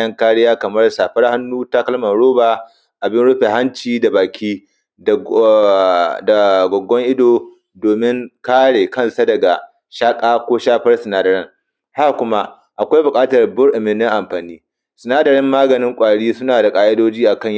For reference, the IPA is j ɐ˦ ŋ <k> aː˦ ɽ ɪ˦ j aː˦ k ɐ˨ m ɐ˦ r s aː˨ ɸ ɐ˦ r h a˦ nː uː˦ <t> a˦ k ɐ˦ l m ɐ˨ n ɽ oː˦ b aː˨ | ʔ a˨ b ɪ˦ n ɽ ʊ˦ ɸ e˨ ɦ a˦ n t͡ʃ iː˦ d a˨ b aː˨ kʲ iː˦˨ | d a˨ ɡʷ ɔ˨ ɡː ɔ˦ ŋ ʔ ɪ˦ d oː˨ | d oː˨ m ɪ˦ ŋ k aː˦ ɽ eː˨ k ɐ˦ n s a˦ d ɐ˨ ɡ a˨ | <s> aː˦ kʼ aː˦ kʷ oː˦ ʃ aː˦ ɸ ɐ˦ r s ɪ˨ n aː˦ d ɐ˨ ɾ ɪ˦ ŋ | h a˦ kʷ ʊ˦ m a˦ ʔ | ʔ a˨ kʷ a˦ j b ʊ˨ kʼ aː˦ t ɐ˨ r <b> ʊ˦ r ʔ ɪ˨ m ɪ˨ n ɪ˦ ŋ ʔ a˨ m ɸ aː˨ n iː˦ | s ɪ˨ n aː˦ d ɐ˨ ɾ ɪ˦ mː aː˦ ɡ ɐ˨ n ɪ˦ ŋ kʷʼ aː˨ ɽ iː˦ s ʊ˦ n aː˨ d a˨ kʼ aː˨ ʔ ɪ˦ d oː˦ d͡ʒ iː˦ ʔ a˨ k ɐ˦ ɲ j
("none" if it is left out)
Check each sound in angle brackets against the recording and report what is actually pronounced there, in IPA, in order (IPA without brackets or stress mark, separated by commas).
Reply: k, t, ʃ, b